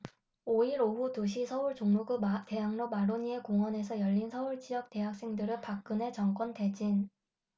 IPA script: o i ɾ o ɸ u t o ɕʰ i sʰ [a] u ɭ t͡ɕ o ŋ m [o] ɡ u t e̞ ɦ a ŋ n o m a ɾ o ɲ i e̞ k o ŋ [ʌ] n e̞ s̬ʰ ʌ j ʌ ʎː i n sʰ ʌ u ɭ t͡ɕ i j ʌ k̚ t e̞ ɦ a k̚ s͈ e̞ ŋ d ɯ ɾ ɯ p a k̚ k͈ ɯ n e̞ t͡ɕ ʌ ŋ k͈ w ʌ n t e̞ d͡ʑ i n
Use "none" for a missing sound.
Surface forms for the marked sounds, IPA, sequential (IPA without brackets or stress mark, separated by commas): ʌ, u, ʌ